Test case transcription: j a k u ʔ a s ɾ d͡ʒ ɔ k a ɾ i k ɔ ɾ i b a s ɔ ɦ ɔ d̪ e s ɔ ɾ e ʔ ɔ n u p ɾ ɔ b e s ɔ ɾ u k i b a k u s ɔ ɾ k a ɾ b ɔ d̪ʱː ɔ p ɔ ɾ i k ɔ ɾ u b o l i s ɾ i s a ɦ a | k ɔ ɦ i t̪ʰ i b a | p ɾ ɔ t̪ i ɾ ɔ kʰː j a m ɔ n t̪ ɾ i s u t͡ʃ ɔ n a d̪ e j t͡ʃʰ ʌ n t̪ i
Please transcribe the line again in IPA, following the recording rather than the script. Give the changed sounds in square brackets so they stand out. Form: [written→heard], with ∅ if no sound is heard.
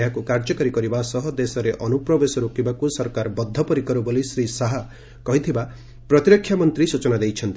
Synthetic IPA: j a k u [ʔ→k] a [s→∅] ɾ d͡ʒ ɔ k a ɾ i k ɔ ɾ i b a s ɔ ɦ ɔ d̪ e s ɔ ɾ e ʔ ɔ n u p ɾ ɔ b e s ɔ ɾ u k i b a k u s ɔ ɾ k a ɾ b ɔ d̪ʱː ɔ p ɔ ɾ i k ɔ ɾ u b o l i s ɾ i s a ɦ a | k ɔ ɦ i t̪ʰ i b a | p ɾ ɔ t̪ i ɾ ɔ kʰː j a m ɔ n t̪ ɾ i s u t͡ʃ ɔ n a d̪ e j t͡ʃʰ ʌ n t̪ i